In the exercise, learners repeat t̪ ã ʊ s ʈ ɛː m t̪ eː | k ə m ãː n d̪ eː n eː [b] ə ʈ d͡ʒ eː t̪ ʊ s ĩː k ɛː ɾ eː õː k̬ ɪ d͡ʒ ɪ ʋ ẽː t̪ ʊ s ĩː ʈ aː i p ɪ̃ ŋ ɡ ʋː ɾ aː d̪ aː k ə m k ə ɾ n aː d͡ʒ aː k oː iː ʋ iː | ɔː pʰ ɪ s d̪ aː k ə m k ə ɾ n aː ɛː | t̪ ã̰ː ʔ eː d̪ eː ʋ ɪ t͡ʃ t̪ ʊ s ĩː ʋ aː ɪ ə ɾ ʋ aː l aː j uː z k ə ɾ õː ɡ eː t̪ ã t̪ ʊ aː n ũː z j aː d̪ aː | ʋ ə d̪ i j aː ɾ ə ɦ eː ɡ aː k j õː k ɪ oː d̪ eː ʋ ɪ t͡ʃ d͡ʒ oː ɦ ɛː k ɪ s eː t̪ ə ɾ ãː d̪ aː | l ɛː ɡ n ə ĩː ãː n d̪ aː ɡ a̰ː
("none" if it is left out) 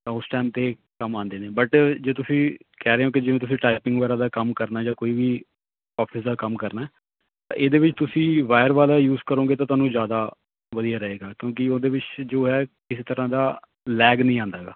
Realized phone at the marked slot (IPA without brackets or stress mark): b